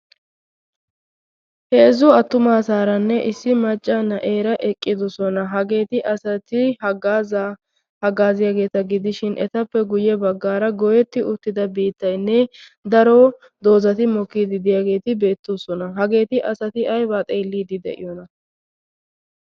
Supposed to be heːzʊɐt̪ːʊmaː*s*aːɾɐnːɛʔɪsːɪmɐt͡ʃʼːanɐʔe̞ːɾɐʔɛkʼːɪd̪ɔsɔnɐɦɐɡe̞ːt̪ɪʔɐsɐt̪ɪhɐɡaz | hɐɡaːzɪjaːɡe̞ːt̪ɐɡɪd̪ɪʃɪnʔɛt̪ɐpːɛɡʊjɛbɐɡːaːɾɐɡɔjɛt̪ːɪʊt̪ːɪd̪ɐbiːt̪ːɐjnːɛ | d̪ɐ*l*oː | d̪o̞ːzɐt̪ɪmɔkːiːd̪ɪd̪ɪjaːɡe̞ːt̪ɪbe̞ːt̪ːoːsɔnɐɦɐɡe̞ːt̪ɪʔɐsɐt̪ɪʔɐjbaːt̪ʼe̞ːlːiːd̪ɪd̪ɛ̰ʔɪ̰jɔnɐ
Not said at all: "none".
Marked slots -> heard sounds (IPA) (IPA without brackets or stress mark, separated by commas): s, ɾ